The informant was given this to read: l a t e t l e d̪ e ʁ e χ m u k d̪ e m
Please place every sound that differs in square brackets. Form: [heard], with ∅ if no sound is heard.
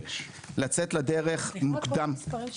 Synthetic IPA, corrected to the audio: l a [t͡s] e t l [a] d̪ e ʁ e χ m u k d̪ [a] m